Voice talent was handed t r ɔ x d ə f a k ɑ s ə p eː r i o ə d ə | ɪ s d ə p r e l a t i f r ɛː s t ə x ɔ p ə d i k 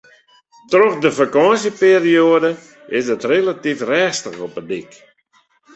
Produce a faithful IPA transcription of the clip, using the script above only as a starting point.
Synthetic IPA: t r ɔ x d ə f a k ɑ s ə p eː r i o ə d ə | ɪ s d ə t r e l a t i f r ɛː s t ə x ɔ p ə d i k